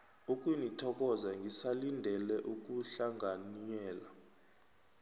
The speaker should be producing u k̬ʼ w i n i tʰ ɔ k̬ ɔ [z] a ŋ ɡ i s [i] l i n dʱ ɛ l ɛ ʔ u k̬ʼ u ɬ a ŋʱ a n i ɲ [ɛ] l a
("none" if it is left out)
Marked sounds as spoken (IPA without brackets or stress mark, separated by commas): z, a, ɛː